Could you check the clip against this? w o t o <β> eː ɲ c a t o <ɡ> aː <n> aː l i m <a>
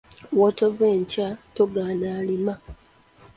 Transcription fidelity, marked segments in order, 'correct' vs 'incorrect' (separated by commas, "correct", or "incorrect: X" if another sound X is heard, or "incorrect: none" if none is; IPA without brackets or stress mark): incorrect: v, correct, correct, correct